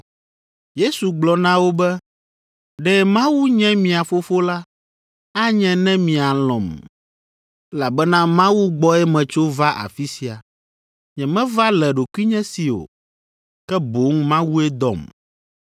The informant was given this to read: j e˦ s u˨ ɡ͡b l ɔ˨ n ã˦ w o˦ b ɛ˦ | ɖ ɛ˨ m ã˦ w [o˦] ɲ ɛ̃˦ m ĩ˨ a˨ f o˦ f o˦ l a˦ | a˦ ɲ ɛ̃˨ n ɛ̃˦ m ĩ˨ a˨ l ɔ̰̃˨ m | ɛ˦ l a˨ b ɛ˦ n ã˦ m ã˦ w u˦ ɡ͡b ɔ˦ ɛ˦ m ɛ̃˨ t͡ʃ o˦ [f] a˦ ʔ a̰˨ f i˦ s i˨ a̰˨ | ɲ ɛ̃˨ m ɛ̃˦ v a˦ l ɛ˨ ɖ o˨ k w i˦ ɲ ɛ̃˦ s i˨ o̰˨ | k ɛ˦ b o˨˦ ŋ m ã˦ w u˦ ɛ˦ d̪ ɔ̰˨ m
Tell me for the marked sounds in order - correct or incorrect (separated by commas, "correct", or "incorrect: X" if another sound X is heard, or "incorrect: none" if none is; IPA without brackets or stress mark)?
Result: incorrect: u˦, incorrect: v